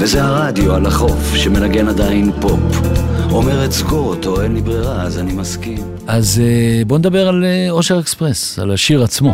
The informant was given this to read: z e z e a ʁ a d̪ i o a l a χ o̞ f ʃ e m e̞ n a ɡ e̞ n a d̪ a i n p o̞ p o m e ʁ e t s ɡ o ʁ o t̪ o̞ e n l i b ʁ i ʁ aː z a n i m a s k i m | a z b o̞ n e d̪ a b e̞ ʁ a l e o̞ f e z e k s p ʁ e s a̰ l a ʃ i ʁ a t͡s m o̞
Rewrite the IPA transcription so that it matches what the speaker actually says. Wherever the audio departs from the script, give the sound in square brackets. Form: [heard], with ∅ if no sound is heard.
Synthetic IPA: [v] e z e a ʁ a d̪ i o a l a χ o̞ f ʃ e m e̞ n a ɡ e̞ n a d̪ a i n p o̞ p o m e ʁ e t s ɡ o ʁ o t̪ o̞ e n l i b ʁ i ʁ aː z a n i m a s k i m | a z b o̞ n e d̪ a b e̞ ʁ a l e o̞ [ʃ] e [ʁ] e k s p ʁ e s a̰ l a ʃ i ʁ a t͡s m o̞